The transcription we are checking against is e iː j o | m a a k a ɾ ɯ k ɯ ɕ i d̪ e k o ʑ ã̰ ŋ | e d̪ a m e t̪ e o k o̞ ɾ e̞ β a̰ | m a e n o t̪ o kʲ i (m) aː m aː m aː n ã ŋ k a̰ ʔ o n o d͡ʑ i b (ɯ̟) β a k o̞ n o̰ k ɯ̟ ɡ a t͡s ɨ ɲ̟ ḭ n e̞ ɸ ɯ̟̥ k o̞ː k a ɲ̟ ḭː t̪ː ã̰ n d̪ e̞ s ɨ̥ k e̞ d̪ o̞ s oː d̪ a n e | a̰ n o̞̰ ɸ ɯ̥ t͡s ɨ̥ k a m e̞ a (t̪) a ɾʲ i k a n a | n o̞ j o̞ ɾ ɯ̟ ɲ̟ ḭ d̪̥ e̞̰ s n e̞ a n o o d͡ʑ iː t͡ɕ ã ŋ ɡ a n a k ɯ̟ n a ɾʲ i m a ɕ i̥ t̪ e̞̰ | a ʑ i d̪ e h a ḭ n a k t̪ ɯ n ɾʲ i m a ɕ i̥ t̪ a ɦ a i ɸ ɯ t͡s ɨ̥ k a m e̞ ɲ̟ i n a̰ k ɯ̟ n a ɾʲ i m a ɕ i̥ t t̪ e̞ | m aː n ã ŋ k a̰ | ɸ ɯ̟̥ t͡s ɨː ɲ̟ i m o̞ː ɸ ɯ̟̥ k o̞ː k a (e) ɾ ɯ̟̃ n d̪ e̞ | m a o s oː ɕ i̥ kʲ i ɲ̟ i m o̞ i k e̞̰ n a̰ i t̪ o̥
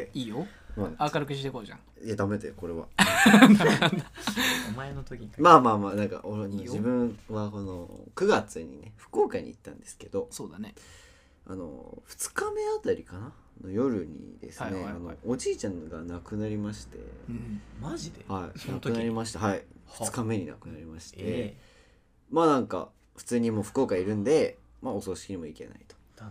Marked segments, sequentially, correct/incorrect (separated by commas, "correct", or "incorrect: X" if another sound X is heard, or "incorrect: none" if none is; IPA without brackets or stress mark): correct, incorrect: ɯ̟̃, correct, incorrect: i